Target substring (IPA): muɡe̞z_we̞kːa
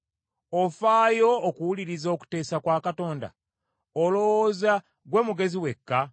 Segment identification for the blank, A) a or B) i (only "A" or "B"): B